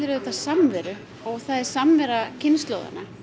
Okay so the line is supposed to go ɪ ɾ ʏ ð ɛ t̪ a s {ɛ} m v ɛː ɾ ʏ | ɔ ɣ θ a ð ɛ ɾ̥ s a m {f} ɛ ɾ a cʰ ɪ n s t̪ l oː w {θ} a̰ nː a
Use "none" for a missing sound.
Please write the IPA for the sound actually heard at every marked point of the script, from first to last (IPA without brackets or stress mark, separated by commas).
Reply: a, v, ð